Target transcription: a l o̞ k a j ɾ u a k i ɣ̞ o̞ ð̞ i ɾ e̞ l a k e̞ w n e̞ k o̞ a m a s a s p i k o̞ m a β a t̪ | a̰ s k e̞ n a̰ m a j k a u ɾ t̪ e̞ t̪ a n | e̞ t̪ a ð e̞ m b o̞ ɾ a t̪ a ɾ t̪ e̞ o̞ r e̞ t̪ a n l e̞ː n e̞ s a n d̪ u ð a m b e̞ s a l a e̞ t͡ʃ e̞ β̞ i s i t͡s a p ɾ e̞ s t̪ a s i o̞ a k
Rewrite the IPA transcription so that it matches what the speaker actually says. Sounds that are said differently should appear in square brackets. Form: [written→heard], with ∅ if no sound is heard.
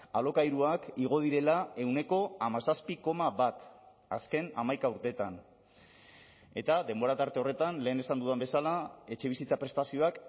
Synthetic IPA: a l o̞ k a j ɾ u a k i ɣ̞ o̞ ð̞ i ɾ e̞ l a [k→∅] e̞ w n e̞ k o̞ a m a s a s p i k o̞ m a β a t̪ | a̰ s k e̞ n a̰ m a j k a u ɾ t̪ e̞ t̪ a n | e̞ t̪ a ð e̞ m b o̞ ɾ a t̪ a ɾ t̪ e̞ o̞ r e̞ t̪ a n l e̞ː n e̞ s a n d̪ u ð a m b e̞ s a l a e̞ t͡ʃ e̞ β̞ i s i t͡s a p ɾ e̞ s t̪ a s i o̞ a k